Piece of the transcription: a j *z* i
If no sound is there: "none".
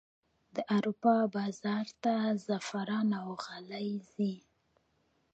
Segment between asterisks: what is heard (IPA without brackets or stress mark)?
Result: z